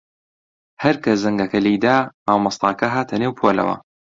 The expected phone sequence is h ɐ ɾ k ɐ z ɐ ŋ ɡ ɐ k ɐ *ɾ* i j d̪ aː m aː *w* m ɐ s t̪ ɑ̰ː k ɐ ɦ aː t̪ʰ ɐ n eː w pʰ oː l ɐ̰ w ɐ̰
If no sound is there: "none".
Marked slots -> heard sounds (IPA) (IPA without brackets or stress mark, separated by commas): l, w